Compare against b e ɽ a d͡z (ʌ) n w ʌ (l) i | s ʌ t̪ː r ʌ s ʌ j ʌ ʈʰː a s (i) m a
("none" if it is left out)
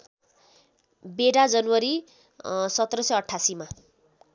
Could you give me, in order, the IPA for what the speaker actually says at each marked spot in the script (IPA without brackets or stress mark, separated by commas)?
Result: ʌ, ɾ, i